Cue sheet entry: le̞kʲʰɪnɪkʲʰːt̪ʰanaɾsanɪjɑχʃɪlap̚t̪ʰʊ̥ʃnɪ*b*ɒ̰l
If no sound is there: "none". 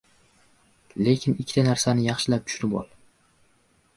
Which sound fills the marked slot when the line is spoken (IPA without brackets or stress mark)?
b